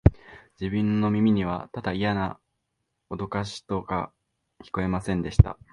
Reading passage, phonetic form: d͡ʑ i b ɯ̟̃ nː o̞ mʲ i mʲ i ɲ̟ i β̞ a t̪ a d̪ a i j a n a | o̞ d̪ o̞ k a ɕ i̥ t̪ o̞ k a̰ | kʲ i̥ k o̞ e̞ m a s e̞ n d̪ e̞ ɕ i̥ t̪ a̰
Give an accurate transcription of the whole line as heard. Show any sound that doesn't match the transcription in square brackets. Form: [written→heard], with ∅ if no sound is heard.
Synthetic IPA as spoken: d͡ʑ i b ɯ̟̃ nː o̞ mʲ i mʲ i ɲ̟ i β̞ a t̪ a d̪ a i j a n a | o̞ d̪ o̞ k a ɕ i̥ t̪ o̞ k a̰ | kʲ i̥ k o̞ e̞ m a s [e̞→ẽ̞] n d̪ e̞ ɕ i̥ t̪ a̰